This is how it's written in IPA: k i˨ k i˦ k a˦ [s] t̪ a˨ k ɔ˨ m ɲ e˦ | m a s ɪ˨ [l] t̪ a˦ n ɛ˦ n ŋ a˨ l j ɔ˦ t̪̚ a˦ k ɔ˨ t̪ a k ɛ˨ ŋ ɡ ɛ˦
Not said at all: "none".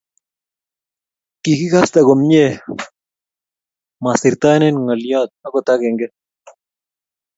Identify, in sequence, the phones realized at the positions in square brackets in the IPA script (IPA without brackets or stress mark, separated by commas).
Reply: s, ɾ